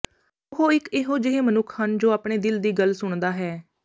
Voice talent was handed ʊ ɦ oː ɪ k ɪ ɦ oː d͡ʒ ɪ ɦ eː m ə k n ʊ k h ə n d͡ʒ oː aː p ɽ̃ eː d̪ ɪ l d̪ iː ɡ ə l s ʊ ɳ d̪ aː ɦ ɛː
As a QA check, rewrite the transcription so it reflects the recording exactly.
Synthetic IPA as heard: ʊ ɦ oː ɪ k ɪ ɦ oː d͡ʒ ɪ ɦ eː m ə n ʊ kʰ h ə n d͡ʒ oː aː p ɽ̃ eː d̪ ɪ l d̪ iː ɡ ə l s ʊ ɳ d̪ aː ɦ ɛː